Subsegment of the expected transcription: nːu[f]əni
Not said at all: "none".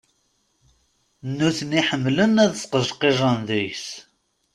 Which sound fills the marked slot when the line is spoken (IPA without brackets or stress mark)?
θ